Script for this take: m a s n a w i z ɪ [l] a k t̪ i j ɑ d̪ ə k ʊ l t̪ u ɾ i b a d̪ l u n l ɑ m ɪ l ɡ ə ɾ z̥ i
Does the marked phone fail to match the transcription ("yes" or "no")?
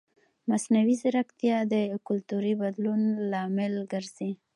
yes